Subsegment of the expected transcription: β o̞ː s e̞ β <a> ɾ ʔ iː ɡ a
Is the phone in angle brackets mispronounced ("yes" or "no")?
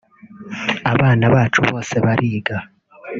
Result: no